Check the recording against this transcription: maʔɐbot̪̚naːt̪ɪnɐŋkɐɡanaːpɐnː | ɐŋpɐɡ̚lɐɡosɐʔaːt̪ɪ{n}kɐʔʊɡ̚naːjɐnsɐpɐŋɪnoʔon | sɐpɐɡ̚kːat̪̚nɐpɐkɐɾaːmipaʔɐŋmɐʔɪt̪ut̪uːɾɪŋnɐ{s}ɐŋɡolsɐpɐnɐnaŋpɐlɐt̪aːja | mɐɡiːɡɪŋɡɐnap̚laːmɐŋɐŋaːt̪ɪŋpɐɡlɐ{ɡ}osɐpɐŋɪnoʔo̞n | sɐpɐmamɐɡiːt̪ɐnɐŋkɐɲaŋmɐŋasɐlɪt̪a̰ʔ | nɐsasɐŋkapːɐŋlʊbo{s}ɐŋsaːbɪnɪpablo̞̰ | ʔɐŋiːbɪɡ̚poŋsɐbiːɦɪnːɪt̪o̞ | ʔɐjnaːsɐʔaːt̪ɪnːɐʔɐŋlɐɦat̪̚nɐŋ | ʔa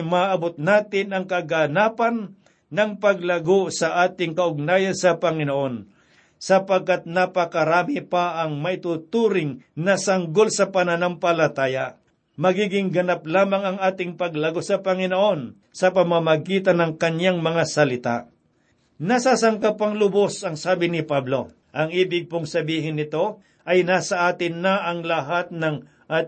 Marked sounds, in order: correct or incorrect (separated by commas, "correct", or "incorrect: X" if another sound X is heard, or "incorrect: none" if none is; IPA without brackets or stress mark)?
incorrect: ŋ, correct, correct, correct